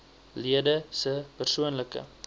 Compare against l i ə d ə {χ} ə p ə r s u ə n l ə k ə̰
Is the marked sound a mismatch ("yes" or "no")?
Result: yes